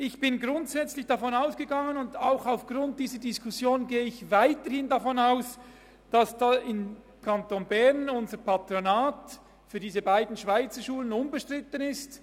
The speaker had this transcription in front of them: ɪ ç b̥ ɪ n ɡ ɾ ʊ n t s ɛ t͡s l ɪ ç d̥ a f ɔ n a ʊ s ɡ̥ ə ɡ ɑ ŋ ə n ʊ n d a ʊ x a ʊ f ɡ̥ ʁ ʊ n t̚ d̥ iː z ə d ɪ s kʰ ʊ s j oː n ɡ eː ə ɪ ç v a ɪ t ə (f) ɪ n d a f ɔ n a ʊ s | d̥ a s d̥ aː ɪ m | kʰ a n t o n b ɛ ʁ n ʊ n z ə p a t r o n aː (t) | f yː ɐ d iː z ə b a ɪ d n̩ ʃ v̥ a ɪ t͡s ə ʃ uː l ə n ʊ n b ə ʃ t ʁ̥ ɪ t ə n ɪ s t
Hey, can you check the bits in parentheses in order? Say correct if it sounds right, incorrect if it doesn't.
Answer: incorrect: h, correct

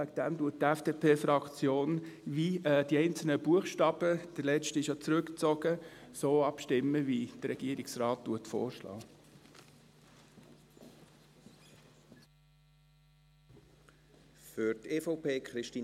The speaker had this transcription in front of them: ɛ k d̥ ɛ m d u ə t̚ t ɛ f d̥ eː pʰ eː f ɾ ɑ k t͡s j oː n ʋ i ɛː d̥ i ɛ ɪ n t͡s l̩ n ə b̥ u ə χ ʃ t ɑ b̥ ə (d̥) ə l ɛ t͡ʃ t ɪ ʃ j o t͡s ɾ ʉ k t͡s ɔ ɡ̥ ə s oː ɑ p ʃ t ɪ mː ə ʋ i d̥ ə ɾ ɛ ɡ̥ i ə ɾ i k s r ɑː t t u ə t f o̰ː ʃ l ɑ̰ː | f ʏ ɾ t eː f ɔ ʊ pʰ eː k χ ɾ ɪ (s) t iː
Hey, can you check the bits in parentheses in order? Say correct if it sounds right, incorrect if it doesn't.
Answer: correct, incorrect: ʃ

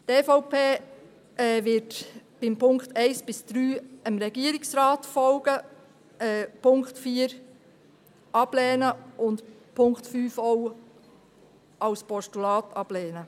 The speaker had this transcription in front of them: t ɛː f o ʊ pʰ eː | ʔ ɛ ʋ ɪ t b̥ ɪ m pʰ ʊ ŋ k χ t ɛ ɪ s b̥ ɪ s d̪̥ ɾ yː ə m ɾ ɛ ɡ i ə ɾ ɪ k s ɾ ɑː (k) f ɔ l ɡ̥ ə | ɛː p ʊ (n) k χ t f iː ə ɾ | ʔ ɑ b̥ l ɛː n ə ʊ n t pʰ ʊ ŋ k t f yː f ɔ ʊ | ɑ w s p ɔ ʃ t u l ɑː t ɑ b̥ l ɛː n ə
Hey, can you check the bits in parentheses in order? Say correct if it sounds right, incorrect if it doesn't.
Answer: incorrect: t, incorrect: ŋ

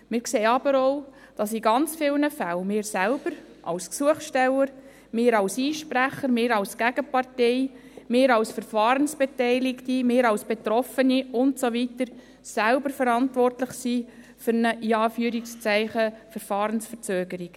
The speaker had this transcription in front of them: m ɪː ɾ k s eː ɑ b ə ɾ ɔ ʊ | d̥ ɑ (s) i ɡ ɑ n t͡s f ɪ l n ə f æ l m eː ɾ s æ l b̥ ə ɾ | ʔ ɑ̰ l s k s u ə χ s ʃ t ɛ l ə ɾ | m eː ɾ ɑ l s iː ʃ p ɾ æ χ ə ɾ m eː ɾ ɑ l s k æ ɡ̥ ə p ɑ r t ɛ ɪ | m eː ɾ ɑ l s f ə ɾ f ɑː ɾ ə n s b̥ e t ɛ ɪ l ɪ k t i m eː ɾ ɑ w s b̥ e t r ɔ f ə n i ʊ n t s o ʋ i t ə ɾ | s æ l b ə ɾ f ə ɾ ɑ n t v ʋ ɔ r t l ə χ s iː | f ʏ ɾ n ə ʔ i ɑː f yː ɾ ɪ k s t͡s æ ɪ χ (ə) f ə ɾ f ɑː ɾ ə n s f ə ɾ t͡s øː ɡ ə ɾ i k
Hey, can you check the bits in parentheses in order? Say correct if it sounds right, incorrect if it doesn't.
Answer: correct, correct

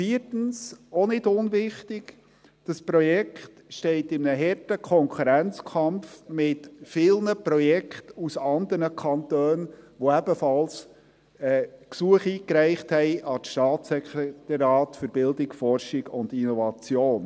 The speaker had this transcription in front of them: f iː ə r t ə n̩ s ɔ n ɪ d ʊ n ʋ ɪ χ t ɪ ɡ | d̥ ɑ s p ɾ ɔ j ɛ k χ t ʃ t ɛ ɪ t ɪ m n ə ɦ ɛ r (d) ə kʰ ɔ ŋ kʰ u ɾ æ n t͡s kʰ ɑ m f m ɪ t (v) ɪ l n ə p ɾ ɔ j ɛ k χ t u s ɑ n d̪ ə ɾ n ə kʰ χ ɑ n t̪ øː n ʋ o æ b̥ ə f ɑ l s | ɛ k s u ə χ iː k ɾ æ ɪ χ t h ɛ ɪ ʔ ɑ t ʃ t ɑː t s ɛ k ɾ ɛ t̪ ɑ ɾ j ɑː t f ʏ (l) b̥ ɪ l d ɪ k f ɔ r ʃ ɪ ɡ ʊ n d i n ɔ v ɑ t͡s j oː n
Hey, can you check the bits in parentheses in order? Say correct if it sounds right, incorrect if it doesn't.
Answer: incorrect: t, incorrect: f, incorrect: ɾ

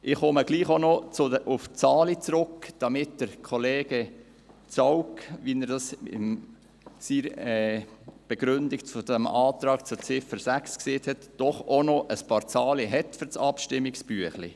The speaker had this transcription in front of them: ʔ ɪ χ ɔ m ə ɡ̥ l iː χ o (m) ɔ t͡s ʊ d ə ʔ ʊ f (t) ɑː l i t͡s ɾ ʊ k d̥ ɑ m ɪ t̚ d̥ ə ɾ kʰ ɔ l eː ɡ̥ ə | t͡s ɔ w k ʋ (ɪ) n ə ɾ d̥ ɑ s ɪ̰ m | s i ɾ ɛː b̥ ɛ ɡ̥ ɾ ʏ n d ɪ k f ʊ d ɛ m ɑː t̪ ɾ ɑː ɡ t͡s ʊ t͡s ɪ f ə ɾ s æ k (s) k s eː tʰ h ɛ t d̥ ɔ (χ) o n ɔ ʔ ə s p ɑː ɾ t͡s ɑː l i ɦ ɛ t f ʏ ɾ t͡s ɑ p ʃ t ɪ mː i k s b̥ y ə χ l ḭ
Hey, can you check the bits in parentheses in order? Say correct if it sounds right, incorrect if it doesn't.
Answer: incorrect: n, incorrect: t͡s, incorrect: i, correct, correct

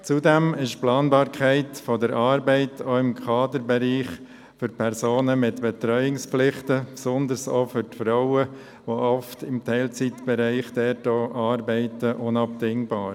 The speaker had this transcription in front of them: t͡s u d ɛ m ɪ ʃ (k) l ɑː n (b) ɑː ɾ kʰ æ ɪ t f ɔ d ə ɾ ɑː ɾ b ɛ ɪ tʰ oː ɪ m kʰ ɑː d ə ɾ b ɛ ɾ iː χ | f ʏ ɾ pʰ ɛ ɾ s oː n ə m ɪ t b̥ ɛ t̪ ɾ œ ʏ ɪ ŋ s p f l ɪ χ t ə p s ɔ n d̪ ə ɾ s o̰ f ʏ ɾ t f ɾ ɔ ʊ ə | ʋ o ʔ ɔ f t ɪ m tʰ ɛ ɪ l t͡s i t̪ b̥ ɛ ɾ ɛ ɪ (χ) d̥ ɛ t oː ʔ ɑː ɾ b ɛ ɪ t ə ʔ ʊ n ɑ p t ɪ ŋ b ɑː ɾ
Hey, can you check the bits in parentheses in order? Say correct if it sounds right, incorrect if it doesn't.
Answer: incorrect: p, correct, correct

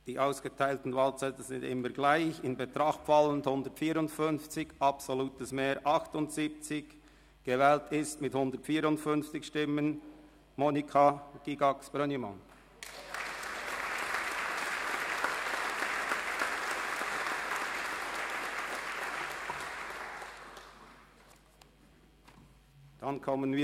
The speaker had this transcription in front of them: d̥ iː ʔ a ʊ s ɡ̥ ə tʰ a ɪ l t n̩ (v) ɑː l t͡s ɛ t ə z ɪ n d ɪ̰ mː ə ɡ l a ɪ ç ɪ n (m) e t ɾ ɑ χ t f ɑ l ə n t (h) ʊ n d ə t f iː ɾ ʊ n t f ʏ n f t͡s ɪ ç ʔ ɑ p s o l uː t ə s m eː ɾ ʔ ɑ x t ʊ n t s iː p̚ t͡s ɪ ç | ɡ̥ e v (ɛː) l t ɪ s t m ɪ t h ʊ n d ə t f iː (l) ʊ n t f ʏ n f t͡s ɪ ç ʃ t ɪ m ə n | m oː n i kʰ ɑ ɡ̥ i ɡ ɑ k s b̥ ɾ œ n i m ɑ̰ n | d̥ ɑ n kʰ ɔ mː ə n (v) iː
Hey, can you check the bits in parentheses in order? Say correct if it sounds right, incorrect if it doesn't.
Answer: correct, incorrect: b, correct, correct, incorrect: ɾ, correct

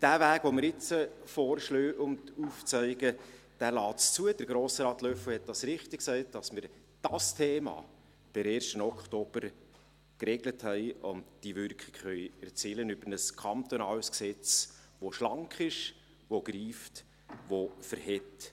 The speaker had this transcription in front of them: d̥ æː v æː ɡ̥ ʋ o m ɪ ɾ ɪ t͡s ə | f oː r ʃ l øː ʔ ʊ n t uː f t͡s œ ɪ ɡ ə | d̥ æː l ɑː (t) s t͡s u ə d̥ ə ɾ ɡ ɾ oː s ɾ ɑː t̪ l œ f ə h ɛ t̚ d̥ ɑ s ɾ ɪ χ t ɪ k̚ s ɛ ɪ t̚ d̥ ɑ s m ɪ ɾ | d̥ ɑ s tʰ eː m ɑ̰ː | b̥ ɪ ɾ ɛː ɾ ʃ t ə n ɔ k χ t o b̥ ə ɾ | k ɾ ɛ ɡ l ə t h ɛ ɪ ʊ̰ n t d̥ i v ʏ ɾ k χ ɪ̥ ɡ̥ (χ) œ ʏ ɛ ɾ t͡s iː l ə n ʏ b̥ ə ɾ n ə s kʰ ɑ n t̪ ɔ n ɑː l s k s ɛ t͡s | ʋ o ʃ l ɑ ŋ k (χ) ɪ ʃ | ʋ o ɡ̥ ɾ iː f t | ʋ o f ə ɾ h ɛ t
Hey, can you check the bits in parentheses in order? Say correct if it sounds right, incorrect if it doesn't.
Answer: correct, correct, correct

